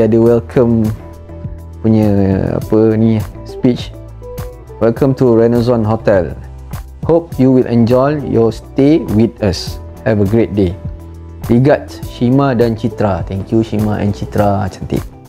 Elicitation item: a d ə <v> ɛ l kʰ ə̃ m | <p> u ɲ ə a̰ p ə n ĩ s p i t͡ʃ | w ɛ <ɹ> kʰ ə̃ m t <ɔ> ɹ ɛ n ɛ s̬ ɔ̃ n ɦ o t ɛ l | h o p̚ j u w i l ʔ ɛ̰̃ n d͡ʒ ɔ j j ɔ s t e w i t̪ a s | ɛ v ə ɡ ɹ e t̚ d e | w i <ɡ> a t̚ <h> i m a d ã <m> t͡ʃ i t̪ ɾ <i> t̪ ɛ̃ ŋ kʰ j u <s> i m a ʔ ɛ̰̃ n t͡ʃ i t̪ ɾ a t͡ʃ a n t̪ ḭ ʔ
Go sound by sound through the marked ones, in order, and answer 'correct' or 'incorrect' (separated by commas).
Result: incorrect, correct, incorrect, incorrect, correct, incorrect, incorrect, incorrect, incorrect